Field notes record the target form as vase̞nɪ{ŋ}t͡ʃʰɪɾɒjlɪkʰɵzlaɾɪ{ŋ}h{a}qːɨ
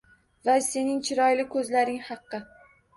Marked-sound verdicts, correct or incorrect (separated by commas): correct, correct, incorrect